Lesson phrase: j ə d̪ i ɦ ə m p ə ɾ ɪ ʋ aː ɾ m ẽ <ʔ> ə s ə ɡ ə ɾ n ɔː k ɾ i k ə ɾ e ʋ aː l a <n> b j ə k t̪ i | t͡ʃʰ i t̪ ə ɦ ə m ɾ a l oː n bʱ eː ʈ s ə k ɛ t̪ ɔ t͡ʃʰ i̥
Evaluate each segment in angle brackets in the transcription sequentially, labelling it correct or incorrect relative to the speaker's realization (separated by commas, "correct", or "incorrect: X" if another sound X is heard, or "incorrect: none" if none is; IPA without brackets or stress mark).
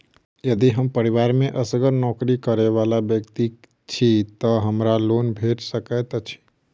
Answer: correct, incorrect: none